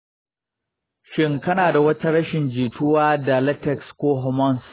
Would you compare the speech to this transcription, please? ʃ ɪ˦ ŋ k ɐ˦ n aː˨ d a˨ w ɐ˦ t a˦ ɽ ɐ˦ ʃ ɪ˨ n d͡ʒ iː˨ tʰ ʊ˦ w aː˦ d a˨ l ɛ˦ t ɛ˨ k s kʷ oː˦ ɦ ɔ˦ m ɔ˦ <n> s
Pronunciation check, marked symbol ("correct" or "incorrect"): correct